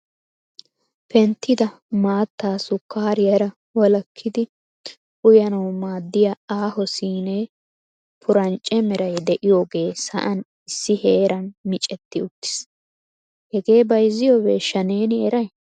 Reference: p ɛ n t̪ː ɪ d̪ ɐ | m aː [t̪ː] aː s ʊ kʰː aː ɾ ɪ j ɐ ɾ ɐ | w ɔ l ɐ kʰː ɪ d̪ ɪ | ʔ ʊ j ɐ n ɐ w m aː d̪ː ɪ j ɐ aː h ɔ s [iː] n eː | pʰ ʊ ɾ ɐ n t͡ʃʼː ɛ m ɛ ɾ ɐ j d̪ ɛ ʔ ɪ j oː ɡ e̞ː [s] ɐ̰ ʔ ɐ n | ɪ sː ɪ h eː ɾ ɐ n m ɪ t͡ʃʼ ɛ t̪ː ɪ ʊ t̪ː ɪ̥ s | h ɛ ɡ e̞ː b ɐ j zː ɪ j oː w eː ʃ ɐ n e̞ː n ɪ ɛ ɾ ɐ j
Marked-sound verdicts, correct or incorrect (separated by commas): correct, correct, correct